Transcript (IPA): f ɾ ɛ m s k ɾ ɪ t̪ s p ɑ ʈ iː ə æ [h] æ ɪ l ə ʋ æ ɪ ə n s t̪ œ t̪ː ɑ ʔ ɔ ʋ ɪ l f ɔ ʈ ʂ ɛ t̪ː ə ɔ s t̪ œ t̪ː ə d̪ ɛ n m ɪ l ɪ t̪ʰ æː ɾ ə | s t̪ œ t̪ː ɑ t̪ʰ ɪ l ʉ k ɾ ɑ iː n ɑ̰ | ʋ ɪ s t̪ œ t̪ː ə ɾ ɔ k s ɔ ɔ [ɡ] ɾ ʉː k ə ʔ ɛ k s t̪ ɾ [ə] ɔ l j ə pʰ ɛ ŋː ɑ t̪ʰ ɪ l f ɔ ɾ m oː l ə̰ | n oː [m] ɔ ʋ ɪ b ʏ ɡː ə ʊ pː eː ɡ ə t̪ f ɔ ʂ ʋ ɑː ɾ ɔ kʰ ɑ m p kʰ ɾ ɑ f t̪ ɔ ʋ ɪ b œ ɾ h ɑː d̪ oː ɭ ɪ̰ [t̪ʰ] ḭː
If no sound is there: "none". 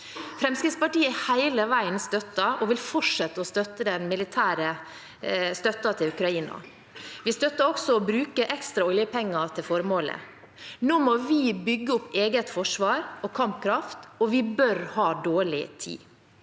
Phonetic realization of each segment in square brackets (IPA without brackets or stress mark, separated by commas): h, b, ɑ, m, t̪ʰ